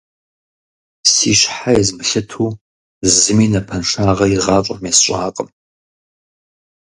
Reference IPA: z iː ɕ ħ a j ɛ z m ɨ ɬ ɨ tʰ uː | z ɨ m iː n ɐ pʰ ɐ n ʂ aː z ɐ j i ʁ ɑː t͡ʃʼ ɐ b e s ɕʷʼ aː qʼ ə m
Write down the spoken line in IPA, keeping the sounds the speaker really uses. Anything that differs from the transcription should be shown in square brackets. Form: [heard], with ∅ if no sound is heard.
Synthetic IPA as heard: [s] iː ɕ ħ a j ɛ z m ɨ ɬ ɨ tʰ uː | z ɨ m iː n ɐ pʰ ɐ n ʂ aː [ʁ] ɐ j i ʁ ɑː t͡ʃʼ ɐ [m] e s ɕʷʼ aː qʼ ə m